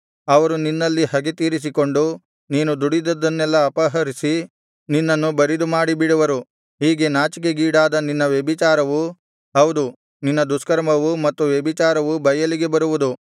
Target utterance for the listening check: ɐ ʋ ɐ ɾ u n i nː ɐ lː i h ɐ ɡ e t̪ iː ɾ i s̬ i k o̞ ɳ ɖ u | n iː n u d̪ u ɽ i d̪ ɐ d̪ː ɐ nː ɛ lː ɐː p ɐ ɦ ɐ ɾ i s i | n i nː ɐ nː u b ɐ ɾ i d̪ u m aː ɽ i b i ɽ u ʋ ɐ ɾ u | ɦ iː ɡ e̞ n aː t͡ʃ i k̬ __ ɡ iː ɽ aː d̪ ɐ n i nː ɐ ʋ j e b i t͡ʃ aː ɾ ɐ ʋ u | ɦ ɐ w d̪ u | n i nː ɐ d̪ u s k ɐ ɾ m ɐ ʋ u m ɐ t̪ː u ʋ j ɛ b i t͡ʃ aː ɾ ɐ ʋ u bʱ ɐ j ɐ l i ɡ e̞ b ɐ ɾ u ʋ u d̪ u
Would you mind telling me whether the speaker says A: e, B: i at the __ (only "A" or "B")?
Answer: A